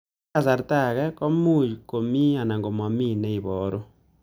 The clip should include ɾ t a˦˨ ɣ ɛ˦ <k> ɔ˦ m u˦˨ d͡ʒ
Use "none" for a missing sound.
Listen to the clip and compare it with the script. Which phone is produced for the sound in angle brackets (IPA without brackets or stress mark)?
k